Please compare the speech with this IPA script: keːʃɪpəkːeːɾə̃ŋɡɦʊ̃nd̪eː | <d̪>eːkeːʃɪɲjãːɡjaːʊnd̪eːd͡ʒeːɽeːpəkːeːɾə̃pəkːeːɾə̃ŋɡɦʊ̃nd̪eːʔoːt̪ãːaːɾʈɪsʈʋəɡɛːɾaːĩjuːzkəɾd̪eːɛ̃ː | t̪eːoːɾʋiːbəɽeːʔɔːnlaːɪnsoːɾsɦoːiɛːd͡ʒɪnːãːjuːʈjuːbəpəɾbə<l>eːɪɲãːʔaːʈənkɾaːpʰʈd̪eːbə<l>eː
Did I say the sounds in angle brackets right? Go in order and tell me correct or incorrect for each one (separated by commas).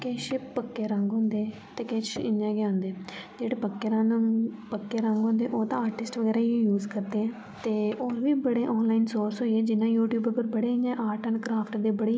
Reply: incorrect, incorrect, incorrect